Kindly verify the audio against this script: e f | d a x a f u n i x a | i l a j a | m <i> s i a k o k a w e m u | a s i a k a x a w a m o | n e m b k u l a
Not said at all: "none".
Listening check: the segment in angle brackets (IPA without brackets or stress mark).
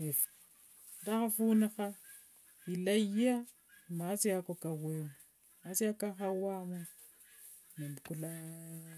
a